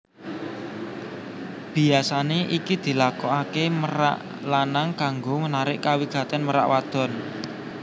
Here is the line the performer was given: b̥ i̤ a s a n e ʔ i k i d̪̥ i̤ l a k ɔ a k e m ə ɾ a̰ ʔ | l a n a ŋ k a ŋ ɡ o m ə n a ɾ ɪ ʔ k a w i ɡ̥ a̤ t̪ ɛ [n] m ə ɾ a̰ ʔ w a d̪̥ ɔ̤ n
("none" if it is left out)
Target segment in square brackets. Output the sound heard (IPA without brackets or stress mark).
n